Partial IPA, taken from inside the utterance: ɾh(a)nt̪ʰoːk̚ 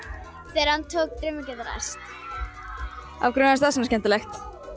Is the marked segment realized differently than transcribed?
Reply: no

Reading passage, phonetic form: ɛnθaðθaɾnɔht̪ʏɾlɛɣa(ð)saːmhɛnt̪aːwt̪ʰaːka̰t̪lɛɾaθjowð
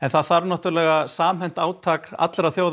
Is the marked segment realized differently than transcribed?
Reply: yes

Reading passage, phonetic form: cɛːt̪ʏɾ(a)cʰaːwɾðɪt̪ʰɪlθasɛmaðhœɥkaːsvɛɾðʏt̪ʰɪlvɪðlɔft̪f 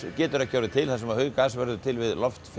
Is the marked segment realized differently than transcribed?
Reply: no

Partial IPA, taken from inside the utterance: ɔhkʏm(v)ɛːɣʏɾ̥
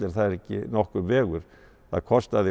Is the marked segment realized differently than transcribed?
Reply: no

